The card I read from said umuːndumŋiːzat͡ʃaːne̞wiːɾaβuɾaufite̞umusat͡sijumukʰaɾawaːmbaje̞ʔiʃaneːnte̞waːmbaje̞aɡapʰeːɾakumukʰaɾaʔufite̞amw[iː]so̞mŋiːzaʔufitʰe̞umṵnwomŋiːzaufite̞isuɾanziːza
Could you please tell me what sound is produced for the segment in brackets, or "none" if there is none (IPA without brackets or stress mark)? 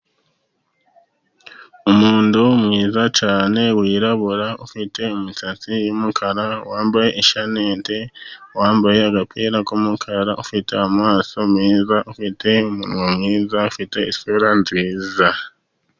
aː